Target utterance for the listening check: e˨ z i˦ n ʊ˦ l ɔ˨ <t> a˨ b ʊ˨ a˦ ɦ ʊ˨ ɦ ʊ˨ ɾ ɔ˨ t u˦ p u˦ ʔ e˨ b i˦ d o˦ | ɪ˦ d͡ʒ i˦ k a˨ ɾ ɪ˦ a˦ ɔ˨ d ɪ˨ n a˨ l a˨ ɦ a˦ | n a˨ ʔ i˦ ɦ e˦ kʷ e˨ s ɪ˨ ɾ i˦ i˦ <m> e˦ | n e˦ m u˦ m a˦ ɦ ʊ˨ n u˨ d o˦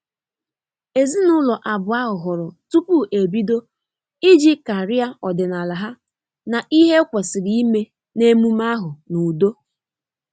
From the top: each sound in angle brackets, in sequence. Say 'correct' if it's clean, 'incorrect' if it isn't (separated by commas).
incorrect, correct